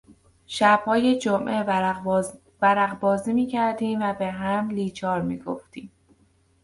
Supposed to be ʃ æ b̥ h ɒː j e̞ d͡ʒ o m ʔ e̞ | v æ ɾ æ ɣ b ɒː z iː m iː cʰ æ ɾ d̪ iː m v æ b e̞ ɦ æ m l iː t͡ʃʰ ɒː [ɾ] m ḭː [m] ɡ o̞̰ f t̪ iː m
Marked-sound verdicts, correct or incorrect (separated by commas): correct, incorrect